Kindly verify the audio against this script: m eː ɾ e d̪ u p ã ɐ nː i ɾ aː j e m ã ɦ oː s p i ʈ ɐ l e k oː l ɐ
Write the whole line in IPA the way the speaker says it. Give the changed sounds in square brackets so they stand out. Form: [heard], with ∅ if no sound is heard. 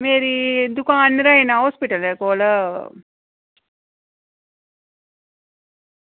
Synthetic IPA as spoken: m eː ɾ [i] d̪ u [k] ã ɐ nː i ɾ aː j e [n] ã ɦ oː s p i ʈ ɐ l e k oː l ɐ